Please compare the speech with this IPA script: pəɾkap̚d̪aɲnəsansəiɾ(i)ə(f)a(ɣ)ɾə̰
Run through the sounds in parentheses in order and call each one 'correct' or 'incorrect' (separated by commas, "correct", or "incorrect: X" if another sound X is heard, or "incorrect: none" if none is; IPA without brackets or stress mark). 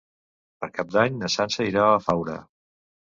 incorrect: a, correct, incorrect: w